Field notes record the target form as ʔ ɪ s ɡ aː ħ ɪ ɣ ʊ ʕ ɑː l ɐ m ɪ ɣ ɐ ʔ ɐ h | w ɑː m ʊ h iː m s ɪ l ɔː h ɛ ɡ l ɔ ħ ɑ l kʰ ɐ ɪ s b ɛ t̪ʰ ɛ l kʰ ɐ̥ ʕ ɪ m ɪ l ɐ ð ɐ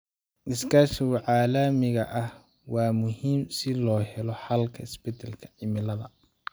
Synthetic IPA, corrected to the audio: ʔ ɪ s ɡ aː ʃ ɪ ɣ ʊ ʕ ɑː l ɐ m ɪ ɣ ɐ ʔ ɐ h | w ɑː m ʊ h iː m s ɪ l ɔː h ɛ l ɔ ħ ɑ l kʰ ɐ ɪ s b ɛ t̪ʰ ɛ l kʰ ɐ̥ ʕ ɪ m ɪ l ɐ ð ɐ